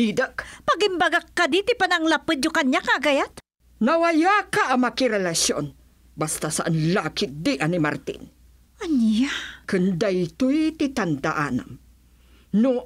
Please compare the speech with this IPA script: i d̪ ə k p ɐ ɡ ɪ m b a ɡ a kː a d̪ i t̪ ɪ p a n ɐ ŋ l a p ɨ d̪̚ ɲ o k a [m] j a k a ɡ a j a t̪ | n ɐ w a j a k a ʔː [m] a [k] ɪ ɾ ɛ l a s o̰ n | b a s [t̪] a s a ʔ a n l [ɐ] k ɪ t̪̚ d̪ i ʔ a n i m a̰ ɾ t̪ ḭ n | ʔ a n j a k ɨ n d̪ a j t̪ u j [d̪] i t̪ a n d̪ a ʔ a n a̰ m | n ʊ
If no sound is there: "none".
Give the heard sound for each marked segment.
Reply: ɲ, m, k, t̪, a, t̪

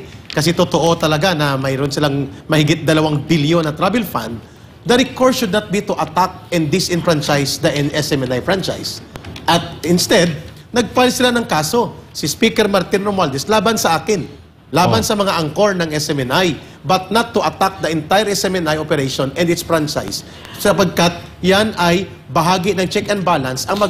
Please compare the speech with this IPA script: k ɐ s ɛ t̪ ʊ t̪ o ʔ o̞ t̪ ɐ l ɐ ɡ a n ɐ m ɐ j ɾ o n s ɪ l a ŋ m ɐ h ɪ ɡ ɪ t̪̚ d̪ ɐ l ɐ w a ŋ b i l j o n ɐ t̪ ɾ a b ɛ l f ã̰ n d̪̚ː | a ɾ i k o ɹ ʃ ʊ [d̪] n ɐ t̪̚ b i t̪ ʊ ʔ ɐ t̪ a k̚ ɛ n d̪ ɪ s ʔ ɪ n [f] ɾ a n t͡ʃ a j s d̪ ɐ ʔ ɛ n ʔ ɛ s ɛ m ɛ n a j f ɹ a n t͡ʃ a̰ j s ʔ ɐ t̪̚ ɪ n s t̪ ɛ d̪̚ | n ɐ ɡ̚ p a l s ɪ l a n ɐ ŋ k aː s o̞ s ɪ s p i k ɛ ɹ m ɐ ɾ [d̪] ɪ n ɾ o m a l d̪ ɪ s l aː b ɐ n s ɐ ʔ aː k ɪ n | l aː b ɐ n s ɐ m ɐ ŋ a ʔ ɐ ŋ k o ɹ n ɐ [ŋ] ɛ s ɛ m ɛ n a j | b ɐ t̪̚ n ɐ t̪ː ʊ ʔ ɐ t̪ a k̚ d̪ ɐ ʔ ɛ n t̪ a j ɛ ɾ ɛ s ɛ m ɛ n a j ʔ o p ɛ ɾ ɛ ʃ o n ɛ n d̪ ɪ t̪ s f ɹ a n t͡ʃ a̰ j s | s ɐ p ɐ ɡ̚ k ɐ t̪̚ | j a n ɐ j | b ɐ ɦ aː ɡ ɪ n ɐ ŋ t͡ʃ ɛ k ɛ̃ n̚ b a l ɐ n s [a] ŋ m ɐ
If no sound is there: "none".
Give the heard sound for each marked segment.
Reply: d̪, f, t̪, ŋ, ɐ

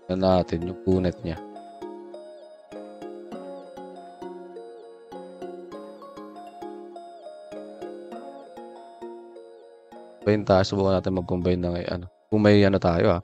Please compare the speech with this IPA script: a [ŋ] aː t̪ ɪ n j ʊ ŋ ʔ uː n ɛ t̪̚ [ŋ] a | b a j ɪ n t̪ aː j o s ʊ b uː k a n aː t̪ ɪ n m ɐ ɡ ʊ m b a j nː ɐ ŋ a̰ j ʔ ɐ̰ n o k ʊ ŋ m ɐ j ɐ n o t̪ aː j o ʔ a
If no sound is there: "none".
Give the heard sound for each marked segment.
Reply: n, ɲ

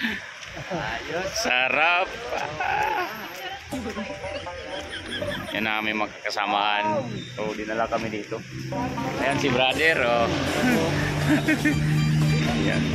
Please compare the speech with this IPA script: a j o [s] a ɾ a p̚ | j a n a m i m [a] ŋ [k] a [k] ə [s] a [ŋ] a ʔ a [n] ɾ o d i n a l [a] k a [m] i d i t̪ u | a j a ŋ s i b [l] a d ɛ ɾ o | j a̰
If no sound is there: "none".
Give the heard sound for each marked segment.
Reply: s, a, k, k, s, m, n, a, m, ɾ

